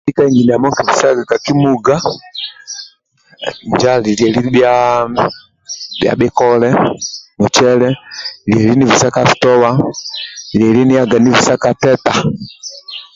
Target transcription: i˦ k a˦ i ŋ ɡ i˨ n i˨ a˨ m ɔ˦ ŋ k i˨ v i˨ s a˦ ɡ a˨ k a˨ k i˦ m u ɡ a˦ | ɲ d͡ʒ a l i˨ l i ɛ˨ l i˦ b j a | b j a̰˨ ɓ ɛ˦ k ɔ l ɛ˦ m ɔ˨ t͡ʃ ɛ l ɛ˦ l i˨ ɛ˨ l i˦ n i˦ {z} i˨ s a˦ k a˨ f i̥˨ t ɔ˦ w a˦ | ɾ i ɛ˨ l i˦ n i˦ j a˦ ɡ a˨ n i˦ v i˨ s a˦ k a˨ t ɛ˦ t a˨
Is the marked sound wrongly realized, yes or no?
yes